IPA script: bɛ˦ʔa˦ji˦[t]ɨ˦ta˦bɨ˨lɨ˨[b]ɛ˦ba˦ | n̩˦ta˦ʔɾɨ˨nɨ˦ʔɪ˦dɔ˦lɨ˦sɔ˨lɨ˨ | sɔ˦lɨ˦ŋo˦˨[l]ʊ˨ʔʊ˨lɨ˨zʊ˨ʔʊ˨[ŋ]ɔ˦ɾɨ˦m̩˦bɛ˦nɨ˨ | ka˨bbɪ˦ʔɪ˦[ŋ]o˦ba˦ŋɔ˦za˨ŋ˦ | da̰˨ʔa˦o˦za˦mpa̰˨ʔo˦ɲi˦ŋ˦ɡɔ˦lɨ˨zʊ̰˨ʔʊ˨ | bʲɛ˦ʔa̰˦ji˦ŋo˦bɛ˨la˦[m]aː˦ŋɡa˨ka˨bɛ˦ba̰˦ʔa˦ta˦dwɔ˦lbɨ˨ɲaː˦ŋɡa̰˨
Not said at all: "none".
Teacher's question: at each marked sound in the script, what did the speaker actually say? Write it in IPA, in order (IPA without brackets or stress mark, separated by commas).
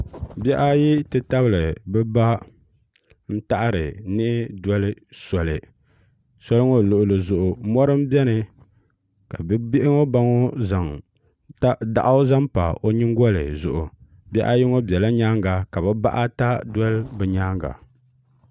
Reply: t, b, l, m, ŋ, ɲ